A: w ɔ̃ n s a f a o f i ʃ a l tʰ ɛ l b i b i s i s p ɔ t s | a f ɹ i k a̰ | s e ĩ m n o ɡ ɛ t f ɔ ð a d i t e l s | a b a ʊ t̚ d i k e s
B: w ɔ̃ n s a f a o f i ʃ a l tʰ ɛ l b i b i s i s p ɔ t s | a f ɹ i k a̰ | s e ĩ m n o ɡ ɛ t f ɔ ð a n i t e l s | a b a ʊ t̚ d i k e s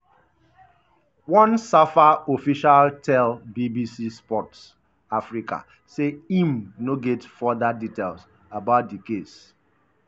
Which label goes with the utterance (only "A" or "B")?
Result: A